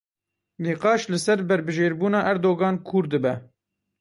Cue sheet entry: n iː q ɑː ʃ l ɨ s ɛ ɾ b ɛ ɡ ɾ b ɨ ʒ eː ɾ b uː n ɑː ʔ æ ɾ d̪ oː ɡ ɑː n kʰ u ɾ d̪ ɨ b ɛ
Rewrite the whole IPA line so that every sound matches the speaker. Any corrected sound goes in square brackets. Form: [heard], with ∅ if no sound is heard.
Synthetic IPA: n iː q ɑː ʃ l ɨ s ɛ ɾ b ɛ [∅] ɾ b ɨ ʒ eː ɾ b uː n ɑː ʔ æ ɾ d̪ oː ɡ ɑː n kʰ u ɾ d̪ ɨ b ɛ

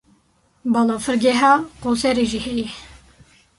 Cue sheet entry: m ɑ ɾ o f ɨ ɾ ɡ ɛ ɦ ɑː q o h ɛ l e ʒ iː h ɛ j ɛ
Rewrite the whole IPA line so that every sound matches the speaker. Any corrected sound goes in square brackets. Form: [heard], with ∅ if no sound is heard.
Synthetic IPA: [b] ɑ [l] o f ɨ ɾ ɡ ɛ ɦ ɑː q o [s] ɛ [ɾ] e ʒ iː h ɛ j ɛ

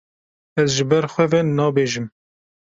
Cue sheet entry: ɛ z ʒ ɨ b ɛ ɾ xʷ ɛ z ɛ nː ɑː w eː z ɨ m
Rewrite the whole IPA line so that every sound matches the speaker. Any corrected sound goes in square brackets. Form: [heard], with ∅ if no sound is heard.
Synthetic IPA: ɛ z ʒ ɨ b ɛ ɾ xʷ ɛ [v] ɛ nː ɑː [b] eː [ʒ] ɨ m

